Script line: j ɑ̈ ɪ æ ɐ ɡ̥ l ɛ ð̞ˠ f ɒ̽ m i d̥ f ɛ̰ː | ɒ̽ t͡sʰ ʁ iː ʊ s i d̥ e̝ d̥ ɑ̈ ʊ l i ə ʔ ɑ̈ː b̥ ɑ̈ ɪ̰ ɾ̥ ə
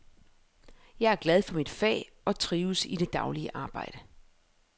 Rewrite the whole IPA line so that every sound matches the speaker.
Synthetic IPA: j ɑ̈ ɪ æ ɐ ɡ̥ l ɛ ð̞ˠ f ɒ̽ m i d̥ f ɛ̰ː | ɒ̽ t͡sʰ ʁ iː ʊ s i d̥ e̝ d̥ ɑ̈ ʊ l i ə ʔ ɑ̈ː b̥ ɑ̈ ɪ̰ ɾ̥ ə